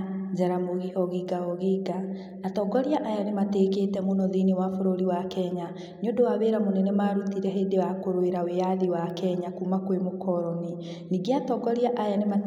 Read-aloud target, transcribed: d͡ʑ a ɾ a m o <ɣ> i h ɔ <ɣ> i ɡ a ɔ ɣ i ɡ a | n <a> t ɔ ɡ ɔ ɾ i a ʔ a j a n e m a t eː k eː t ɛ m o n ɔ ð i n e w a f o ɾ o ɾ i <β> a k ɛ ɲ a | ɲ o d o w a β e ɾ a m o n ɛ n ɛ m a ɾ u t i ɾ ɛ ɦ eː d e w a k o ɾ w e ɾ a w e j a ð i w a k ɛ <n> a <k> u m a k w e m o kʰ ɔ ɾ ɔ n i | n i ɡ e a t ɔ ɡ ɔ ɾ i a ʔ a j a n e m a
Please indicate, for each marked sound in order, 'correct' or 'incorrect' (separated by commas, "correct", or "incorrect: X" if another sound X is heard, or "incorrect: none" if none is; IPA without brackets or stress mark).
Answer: correct, correct, correct, incorrect: w, incorrect: ɲ, correct